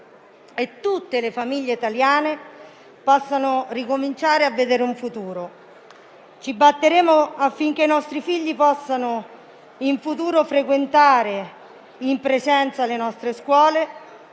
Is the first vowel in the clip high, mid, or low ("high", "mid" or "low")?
mid